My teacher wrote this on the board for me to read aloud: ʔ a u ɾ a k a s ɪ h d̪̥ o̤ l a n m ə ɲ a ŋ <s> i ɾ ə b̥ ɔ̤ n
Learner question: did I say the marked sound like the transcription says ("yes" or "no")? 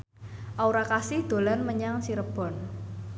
yes